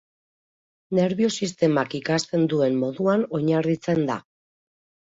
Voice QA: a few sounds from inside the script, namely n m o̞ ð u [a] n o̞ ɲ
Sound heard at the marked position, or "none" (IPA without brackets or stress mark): a